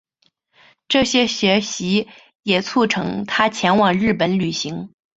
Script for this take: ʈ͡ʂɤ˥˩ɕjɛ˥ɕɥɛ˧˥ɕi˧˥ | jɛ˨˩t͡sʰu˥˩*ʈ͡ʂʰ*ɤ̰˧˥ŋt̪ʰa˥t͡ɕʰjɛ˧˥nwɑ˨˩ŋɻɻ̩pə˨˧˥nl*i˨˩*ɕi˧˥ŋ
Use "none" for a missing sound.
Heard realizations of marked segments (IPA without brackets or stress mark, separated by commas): ʈ͡ʂʰ, y˨˩